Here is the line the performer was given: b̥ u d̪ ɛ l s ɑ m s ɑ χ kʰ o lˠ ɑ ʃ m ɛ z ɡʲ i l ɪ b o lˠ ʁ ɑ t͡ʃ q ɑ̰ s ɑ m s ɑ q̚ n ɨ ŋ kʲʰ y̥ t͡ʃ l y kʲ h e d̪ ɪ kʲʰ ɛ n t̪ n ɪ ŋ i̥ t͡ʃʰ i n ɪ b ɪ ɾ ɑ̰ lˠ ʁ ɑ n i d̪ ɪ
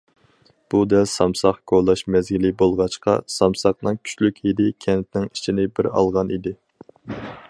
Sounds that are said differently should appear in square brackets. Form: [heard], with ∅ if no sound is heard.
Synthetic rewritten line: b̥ u d̪ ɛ l s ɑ m s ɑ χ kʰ o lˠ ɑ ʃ m ɛ z ɡʲ i l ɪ b o lˠ ʁ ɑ t͡ʃ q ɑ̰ s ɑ m s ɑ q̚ n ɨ ŋ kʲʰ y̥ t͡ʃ l y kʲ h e d̪ ɪ kʲʰ ɛ n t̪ n ɪ ŋ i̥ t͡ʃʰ i n ɪ b ɪ ɾ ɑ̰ lˠ ʁ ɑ n i d̪ ɪ